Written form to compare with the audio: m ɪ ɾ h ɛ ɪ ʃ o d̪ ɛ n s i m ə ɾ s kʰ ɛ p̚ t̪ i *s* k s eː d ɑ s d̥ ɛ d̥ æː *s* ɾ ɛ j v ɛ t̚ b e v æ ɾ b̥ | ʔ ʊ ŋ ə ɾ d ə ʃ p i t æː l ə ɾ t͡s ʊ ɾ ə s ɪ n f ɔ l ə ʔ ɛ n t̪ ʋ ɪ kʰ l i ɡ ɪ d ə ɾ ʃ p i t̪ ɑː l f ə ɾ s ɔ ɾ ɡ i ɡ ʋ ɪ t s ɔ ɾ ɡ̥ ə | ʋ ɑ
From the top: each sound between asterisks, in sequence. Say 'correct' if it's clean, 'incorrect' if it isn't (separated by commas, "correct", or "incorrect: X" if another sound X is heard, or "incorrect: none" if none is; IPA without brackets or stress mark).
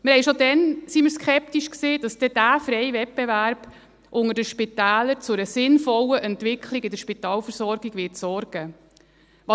incorrect: ʃ, incorrect: f